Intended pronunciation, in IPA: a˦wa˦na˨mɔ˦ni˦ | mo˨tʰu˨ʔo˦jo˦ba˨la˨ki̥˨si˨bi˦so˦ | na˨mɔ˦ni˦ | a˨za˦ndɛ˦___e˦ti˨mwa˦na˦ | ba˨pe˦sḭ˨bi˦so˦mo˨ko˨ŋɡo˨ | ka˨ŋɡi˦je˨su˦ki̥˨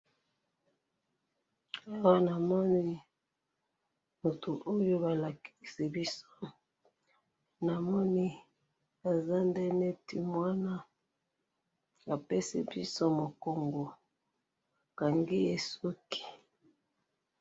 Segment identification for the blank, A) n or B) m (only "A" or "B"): A